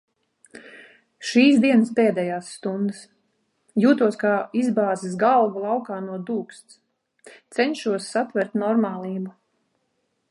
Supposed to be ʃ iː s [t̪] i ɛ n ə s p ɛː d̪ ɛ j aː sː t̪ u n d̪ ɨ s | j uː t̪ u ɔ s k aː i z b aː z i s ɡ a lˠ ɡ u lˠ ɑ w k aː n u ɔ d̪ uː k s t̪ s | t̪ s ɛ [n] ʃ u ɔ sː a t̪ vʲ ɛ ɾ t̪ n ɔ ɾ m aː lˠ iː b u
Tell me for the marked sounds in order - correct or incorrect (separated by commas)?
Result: incorrect, incorrect